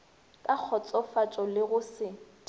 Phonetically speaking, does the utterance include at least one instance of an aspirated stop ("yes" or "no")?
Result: yes